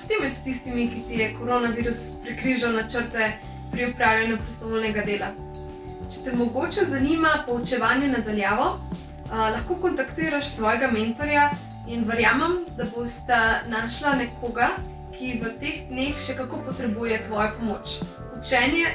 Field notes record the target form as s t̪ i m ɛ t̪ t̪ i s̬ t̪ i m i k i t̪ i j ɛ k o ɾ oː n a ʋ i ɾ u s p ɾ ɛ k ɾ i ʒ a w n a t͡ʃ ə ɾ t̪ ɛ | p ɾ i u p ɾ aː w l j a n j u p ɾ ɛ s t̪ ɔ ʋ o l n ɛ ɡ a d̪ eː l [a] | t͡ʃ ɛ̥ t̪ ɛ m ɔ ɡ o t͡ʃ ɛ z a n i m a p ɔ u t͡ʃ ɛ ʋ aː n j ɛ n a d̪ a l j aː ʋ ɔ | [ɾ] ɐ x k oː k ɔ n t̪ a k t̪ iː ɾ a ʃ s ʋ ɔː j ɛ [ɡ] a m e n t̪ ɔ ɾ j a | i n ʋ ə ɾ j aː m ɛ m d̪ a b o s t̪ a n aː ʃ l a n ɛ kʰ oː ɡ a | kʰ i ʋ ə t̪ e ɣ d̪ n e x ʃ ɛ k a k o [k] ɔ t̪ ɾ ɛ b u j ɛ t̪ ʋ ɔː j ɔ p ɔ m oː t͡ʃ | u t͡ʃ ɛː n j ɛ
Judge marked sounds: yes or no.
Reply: yes, no, yes, no

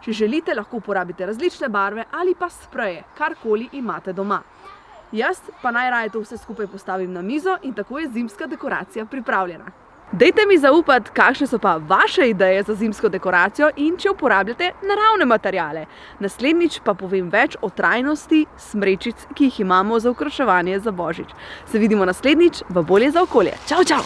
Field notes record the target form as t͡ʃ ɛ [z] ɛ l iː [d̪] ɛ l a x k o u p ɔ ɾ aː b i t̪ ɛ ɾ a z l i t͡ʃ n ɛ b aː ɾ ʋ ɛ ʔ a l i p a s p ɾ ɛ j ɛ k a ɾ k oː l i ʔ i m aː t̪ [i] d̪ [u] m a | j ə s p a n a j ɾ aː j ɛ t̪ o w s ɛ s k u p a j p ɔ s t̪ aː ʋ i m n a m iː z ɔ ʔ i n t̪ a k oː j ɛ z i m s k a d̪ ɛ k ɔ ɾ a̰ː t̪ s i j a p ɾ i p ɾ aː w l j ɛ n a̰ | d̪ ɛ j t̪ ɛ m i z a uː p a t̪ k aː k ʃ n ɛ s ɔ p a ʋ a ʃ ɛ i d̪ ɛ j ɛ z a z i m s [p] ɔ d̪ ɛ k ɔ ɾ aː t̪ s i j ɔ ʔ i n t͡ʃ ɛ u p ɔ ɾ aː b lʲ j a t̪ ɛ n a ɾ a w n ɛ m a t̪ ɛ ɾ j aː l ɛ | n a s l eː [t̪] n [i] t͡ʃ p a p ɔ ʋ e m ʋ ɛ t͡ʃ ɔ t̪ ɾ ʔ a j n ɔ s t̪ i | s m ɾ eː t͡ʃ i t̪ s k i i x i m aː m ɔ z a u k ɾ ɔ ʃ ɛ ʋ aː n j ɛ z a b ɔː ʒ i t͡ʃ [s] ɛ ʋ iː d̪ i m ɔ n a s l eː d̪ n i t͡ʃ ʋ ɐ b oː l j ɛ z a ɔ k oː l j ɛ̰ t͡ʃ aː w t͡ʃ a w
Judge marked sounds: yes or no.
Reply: no, no, no, no, no, no, yes, yes

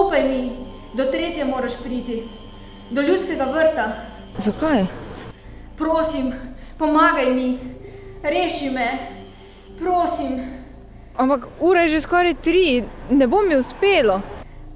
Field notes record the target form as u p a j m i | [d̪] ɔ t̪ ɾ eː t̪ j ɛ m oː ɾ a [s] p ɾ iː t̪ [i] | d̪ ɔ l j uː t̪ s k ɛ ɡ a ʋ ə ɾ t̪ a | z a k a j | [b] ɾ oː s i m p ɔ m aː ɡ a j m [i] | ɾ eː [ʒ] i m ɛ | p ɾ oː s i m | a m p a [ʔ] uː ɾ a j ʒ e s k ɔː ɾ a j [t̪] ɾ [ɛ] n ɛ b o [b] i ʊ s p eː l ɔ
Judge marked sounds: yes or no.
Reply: yes, no, yes, no, yes, no, no, yes, no, no

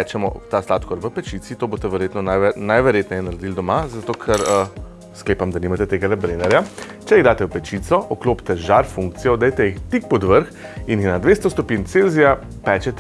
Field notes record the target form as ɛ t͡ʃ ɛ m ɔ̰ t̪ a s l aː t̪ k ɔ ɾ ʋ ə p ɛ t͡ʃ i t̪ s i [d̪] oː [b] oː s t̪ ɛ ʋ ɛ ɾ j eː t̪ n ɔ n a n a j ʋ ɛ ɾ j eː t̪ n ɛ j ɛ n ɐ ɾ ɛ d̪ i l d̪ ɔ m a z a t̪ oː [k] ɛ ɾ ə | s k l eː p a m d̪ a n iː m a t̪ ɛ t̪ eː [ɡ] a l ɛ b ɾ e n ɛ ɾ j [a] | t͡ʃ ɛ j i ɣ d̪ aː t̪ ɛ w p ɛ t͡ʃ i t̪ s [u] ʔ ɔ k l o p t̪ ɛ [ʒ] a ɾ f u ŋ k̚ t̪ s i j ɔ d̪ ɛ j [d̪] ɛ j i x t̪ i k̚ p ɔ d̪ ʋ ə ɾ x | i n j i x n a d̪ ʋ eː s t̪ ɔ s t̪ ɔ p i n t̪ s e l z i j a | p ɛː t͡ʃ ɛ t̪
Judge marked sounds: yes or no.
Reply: no, yes, no, yes, yes, no, yes, no

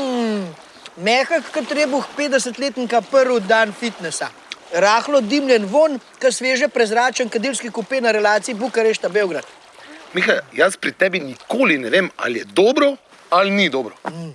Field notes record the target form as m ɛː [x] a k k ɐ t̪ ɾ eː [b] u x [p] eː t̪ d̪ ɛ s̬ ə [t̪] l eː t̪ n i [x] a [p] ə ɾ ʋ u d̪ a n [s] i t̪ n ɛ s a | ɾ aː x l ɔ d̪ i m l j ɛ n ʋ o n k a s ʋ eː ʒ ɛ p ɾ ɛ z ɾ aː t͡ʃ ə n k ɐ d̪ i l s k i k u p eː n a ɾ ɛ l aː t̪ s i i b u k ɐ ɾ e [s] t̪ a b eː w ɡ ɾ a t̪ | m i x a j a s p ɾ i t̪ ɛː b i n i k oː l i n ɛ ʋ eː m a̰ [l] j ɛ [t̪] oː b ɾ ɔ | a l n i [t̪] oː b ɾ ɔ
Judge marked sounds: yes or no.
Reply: yes, yes, yes, yes, no, yes, no, no, yes, no, no

